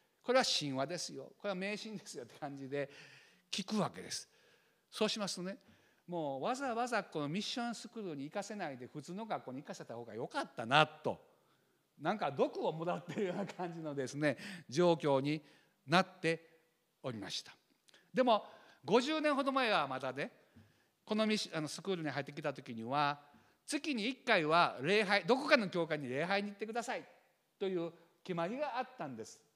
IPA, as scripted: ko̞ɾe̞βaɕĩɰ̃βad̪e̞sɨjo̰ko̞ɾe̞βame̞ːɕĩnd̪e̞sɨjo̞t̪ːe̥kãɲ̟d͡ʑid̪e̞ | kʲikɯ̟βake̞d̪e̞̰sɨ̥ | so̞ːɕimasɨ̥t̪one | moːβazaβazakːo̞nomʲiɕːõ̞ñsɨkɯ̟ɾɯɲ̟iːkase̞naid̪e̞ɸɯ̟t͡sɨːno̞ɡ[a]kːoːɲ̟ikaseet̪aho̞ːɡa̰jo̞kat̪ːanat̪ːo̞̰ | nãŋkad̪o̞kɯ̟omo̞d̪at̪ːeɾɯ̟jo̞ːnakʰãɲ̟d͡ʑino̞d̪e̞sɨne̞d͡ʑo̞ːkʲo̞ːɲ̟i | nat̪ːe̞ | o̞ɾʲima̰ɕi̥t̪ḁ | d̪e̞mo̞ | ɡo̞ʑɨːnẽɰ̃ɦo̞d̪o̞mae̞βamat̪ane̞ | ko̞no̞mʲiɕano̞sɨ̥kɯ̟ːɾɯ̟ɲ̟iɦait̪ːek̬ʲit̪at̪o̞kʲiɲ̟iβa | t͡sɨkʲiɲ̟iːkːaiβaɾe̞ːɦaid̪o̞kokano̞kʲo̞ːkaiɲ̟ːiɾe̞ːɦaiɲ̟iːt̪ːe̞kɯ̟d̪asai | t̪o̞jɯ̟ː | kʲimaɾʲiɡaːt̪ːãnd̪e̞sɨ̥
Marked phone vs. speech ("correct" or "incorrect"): correct